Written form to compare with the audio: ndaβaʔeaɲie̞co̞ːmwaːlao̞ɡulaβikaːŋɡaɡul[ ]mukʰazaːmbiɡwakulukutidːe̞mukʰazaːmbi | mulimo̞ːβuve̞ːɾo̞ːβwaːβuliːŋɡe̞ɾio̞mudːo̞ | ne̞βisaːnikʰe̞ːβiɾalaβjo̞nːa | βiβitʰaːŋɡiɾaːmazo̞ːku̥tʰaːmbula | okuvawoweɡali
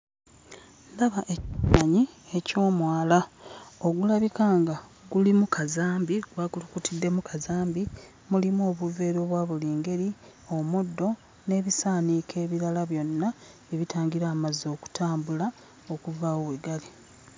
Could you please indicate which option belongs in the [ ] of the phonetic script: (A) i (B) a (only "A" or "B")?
A